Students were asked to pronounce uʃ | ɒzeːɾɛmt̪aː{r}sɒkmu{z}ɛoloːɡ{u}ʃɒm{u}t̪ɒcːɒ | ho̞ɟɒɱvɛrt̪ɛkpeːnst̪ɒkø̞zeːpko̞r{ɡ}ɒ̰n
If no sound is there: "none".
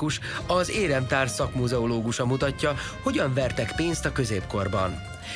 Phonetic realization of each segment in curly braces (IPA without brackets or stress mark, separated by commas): r, z, u, u, b